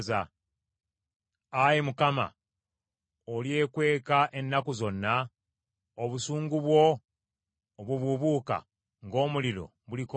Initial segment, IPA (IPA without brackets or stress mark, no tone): z